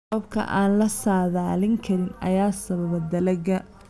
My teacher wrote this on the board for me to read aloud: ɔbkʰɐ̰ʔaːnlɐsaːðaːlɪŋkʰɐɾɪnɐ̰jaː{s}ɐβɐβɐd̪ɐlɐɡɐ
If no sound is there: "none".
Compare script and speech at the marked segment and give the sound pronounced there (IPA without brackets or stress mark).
s